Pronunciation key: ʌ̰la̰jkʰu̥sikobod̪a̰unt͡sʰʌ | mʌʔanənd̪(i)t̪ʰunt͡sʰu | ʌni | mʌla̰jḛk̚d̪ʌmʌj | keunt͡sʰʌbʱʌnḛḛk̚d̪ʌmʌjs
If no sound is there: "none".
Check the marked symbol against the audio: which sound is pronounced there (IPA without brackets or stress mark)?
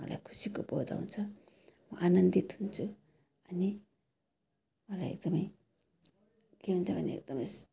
i